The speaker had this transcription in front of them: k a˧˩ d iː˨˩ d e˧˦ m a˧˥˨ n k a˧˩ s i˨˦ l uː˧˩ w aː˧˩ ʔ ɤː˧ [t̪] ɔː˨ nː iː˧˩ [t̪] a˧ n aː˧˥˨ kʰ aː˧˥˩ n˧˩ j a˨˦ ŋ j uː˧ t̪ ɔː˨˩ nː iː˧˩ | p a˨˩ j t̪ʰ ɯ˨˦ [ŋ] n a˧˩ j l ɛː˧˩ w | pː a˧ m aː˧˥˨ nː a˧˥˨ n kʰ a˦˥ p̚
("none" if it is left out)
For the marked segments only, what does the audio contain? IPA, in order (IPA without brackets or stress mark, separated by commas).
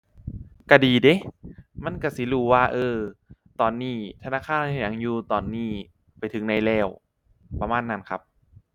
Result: t̪, t̪ʰ, ŋ